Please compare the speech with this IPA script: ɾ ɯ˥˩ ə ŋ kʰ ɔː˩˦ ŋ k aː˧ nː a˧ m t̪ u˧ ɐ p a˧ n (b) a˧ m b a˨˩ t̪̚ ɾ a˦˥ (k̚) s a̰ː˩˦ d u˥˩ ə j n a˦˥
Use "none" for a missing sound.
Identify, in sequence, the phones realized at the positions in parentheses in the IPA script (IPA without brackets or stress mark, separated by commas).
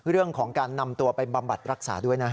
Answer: b, k̚